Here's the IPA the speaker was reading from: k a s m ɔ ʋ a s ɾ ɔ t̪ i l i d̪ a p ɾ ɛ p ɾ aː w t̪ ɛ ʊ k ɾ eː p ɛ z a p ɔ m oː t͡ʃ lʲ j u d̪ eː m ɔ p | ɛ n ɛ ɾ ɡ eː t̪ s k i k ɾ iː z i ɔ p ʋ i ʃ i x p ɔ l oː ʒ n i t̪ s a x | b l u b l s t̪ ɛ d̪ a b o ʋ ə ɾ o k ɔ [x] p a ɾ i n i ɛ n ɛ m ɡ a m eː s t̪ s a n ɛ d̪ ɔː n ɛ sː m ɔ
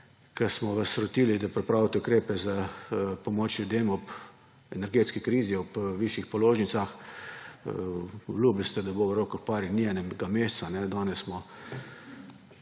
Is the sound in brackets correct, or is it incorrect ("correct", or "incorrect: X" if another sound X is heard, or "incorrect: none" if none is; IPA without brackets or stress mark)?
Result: correct